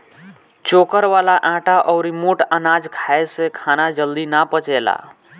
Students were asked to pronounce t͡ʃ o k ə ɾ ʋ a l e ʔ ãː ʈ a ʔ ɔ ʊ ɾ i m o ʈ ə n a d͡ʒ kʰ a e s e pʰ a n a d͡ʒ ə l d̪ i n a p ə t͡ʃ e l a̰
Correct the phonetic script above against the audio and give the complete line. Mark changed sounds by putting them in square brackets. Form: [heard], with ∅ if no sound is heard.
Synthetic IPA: t͡ʃ o k ə ɾ ʋ a l [a] ʔ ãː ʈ a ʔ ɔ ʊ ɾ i m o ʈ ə n a d͡ʒ kʰ a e s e [kʰ] a n a d͡ʒ ə l d̪ i n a p ə t͡ʃ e l a̰